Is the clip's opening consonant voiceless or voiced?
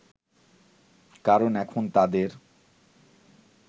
voiceless